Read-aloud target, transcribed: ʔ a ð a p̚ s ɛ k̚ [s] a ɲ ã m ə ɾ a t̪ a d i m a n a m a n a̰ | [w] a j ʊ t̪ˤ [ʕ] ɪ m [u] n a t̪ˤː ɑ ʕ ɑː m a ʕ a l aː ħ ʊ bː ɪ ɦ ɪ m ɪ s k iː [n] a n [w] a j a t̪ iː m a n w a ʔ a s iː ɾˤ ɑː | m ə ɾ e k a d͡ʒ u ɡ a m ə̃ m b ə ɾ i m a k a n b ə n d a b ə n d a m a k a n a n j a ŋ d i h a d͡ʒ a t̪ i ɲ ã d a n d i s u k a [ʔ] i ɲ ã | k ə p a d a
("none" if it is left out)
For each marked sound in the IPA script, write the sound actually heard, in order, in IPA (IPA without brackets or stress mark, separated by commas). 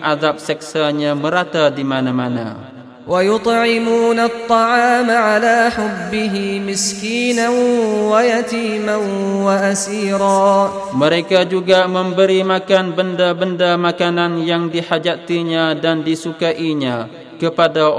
s, w, ʕ, uː, n, w, ʔ